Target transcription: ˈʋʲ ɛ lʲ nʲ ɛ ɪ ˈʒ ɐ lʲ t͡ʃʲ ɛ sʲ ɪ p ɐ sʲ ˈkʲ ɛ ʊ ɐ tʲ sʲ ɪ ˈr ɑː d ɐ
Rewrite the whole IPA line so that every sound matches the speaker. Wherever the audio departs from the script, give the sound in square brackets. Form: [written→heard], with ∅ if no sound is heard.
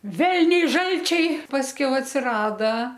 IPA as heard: ˈʋʲ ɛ lʲ nʲ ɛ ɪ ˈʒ ɐ lʲ t͡ʃʲ ɛ [sʲ→∅] ɪ p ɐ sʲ ˈkʲ ɛ ʊ ɐ tʲ sʲ ɪ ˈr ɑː d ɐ